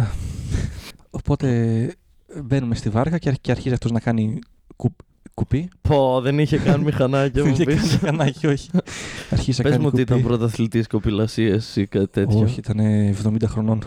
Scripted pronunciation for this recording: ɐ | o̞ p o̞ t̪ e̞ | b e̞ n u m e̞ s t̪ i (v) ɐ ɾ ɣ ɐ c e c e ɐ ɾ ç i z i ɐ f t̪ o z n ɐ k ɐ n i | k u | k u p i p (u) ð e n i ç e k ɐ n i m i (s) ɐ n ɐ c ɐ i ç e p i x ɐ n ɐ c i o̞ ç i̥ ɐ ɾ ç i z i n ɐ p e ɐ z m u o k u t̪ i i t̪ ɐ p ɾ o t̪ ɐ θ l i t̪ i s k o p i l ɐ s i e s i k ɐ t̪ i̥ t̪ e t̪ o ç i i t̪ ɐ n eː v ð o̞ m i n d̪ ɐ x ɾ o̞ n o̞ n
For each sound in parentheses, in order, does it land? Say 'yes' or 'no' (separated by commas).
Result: yes, no, no